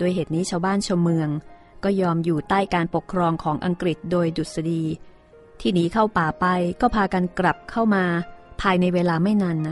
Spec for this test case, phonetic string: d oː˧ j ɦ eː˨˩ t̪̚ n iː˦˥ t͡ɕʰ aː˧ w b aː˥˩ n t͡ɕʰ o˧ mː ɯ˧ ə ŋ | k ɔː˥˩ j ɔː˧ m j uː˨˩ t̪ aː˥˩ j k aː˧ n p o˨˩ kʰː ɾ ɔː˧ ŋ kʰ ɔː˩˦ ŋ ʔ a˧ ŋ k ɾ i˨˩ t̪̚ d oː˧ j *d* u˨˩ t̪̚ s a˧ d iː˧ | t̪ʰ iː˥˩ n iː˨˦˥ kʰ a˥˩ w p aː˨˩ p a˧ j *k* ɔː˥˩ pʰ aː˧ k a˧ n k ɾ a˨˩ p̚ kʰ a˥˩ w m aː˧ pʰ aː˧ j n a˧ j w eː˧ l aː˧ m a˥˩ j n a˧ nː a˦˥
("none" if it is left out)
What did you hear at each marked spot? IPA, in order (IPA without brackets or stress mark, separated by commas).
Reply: d, k